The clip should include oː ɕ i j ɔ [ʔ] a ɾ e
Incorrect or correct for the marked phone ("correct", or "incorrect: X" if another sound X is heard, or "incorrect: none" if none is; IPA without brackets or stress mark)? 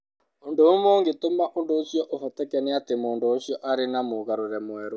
correct